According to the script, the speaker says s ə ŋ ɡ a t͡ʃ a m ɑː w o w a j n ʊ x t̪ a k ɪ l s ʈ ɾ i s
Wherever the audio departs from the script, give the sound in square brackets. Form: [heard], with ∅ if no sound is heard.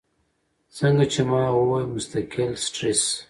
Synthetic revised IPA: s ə ŋ ɡ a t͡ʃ [e] m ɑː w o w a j [m] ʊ [s] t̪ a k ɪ l s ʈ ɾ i s